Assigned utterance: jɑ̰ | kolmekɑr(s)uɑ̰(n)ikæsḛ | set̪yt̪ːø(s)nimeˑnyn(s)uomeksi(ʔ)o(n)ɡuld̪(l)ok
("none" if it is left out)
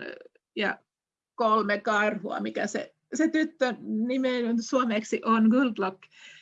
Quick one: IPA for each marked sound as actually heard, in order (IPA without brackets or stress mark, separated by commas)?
h, m, none, s, ʔ, n, l